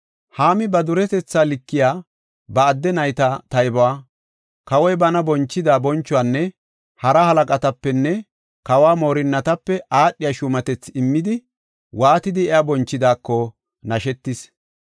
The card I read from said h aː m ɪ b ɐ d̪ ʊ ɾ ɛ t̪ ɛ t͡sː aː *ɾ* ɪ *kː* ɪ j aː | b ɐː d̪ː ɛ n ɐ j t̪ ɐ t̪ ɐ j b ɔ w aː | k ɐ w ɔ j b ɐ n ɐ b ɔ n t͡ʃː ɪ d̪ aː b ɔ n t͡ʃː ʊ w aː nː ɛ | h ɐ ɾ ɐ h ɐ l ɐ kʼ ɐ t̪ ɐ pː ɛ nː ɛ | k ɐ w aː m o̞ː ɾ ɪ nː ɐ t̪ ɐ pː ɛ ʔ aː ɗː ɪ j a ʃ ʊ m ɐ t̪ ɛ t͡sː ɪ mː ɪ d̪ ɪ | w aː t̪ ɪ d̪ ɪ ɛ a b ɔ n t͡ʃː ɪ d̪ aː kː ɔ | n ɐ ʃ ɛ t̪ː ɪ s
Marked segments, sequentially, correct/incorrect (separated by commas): incorrect, correct